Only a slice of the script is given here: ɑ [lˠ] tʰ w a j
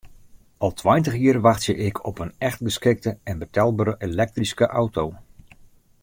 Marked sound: correct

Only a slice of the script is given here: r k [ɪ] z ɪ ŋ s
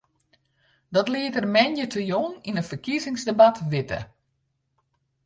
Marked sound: incorrect: i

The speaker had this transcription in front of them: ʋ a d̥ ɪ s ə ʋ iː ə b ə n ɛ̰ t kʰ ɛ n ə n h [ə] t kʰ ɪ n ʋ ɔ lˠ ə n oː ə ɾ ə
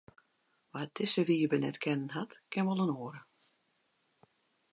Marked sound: incorrect: a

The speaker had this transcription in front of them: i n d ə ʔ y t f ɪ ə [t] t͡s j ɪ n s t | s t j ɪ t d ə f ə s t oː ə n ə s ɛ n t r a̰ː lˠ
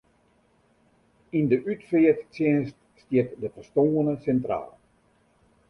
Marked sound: correct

